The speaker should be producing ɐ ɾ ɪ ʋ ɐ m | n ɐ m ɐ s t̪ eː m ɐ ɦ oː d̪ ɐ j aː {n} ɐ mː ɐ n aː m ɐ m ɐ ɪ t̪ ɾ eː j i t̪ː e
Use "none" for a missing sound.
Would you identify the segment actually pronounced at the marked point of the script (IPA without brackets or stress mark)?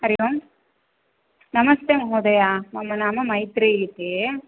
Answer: m